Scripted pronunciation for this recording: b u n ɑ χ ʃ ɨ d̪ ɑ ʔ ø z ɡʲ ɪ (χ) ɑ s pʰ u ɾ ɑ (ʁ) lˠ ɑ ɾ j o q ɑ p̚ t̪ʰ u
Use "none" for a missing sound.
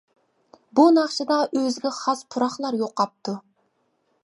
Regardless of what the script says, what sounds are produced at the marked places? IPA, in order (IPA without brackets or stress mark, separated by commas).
χ, χ